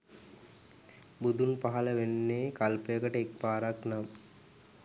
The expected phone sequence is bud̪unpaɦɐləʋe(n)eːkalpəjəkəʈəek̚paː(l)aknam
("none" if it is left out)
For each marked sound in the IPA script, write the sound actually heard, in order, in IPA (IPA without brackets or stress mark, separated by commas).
nː, ɾ